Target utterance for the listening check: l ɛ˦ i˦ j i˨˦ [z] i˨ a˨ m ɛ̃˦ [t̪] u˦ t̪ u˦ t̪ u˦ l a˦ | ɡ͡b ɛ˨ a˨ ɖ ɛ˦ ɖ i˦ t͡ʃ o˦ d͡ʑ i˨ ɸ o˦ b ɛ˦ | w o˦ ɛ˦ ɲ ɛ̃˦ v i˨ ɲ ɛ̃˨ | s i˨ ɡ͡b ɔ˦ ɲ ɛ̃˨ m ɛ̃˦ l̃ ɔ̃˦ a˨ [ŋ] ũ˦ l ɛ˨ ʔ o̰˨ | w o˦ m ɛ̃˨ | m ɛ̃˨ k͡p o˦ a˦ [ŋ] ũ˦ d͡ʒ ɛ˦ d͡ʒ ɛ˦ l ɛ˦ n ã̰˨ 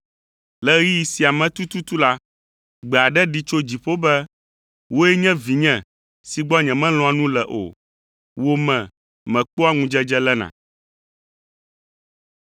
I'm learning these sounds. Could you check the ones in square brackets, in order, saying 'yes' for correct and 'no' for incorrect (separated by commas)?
no, yes, no, yes